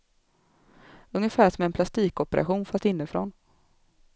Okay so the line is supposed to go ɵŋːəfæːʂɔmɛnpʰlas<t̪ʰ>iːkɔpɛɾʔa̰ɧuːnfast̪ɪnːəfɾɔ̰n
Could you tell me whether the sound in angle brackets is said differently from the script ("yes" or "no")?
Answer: yes